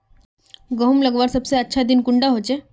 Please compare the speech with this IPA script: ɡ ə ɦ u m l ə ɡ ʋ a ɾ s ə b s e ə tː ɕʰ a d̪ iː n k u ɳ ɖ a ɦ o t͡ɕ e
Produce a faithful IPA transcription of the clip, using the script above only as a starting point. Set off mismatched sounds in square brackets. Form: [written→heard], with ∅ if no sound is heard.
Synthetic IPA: ɡ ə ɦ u m l ə ɡ ʋ a ɾ s ə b s e ə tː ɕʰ a d̪ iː n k u ɳ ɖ a ɦ o t͡ɕ e